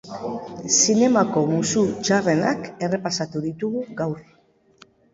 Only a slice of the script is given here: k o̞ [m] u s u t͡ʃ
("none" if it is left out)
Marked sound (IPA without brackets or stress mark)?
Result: m